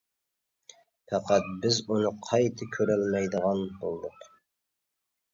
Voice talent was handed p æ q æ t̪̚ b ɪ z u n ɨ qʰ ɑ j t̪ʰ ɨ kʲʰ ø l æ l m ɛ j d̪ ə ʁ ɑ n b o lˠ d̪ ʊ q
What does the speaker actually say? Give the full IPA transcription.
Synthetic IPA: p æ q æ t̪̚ b ɪ z u n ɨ qʰ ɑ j t̪ʰ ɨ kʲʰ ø ɾ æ l m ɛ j d̪ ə ʁ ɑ n b o lˠ d̪ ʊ q